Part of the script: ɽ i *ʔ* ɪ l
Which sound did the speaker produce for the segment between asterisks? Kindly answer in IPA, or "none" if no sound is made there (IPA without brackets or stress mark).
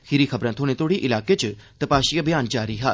ʔ